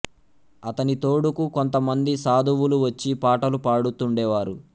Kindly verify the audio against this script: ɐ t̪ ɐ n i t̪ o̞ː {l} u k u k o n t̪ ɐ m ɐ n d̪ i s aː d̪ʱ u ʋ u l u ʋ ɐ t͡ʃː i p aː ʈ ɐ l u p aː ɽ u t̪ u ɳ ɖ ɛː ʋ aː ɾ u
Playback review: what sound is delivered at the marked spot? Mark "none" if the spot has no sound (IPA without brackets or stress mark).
ɽ